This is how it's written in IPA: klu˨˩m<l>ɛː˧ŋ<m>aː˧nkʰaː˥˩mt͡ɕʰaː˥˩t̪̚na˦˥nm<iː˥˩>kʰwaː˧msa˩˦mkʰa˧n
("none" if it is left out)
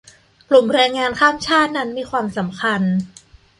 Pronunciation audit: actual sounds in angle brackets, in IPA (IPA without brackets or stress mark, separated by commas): ɾ, ŋ, iː˧